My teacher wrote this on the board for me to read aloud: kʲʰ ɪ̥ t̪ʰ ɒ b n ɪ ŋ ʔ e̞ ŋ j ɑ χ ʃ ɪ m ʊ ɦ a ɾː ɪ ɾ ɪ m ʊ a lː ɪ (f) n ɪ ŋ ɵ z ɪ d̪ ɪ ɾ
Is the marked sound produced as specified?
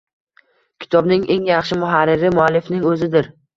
yes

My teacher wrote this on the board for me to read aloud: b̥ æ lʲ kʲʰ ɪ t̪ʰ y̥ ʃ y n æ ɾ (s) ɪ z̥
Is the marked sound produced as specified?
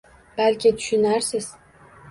yes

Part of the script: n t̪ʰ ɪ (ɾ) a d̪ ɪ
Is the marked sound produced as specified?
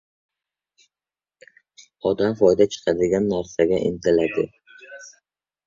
no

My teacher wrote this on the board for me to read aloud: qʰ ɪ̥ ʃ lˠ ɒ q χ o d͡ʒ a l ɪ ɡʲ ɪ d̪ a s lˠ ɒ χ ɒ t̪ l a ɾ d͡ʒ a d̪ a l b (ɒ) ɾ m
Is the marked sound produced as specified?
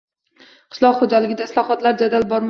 yes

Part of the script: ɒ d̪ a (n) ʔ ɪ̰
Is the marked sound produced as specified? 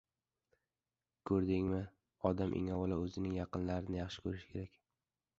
no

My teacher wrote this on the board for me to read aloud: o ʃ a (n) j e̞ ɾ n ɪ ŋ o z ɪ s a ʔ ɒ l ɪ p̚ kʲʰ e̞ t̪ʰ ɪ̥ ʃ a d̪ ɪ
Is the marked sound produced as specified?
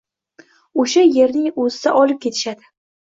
no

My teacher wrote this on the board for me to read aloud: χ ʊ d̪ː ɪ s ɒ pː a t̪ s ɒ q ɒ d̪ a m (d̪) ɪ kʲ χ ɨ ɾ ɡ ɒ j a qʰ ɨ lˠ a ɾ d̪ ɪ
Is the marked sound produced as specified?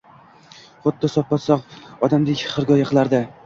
yes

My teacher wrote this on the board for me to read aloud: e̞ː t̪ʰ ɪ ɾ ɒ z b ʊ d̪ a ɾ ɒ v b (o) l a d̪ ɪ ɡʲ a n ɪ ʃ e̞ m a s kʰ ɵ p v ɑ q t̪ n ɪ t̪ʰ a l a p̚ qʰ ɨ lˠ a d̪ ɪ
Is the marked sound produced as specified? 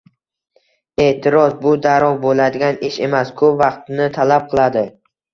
yes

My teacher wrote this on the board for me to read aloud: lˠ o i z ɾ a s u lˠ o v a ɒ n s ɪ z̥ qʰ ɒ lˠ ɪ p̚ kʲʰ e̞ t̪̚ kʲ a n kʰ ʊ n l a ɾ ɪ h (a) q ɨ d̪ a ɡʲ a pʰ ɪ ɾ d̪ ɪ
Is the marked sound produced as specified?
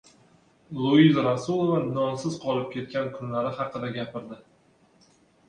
no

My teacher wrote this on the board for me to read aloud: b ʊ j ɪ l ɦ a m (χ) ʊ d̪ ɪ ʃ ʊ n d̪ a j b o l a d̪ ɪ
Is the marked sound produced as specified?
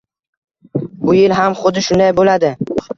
yes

